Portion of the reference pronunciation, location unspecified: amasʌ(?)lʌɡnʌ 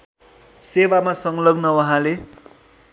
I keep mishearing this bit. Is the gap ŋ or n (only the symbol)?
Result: ŋ